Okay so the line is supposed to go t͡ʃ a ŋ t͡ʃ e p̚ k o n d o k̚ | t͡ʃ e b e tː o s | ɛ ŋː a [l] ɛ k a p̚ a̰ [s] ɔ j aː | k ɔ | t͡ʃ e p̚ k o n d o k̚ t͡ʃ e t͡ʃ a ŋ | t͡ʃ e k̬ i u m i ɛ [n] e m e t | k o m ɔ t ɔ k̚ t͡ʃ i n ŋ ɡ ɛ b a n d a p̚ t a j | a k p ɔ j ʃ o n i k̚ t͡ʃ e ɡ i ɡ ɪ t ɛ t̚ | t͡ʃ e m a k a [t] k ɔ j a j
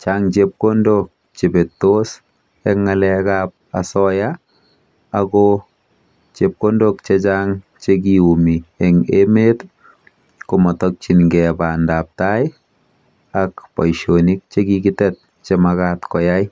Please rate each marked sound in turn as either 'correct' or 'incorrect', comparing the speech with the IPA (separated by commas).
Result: correct, correct, incorrect, correct